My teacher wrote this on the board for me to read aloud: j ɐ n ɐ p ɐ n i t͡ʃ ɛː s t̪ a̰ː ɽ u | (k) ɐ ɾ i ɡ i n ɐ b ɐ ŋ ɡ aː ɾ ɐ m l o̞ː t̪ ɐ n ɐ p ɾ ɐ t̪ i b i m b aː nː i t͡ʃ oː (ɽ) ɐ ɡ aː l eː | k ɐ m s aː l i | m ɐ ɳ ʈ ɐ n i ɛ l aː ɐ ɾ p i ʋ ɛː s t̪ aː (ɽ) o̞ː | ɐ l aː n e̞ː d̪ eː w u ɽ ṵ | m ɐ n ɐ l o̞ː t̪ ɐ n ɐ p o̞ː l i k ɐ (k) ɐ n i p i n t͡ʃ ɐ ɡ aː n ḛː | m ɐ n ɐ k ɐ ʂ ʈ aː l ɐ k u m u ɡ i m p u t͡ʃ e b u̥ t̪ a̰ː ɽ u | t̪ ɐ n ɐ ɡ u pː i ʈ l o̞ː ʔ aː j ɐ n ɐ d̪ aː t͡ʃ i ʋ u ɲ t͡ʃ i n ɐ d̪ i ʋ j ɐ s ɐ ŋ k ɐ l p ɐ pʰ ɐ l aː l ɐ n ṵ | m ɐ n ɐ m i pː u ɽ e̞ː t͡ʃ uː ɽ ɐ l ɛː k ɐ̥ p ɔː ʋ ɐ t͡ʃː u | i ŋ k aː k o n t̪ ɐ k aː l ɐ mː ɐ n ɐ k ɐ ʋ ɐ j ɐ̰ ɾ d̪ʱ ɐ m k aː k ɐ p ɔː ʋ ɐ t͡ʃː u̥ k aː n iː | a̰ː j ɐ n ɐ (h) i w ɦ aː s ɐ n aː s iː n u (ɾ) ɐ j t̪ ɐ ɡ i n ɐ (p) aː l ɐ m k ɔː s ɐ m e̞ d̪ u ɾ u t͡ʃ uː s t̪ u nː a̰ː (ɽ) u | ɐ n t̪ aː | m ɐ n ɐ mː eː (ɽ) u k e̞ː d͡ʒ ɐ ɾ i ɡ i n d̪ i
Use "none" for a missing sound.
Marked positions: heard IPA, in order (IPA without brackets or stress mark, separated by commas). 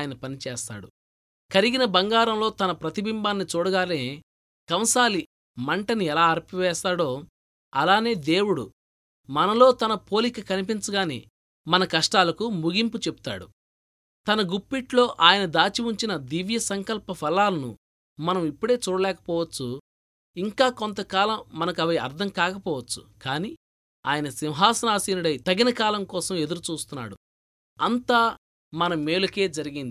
k, ɽ, ɽ, k, s, ɽ, k, ɽ, l